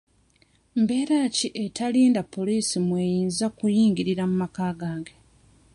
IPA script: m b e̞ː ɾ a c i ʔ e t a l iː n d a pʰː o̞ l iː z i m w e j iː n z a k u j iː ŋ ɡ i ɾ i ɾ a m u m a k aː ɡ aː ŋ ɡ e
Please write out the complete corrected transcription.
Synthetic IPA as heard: m b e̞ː ɾ a c i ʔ e t a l iː n d a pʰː o̞ l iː s i m w e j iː n z a k u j iː ŋ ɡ i ɾ i ɾ a m u m a k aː ɡ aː ŋ ɡ e